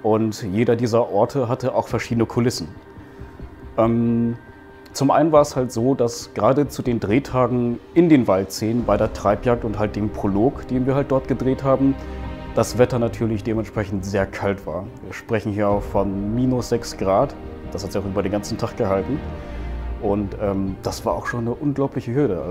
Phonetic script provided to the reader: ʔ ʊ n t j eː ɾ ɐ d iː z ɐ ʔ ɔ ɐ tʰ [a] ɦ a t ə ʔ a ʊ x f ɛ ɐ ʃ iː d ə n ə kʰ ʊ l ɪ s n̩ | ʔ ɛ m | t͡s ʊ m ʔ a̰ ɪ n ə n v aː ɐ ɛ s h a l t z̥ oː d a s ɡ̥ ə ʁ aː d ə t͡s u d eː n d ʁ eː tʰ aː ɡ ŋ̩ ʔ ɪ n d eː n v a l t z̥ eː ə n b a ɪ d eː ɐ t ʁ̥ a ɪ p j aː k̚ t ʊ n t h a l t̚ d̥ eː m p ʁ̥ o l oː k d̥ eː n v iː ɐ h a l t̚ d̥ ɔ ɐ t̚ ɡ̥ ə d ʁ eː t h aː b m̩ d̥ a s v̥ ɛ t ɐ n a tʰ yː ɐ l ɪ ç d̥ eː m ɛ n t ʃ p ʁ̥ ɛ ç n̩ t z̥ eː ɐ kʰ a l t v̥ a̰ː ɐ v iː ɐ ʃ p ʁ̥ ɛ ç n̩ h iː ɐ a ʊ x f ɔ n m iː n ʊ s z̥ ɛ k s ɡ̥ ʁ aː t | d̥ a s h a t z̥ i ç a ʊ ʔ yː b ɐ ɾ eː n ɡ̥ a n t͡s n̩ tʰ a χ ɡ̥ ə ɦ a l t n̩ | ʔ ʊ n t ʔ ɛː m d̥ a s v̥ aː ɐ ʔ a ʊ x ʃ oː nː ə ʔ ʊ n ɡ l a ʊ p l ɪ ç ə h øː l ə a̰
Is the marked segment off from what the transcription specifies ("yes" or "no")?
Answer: yes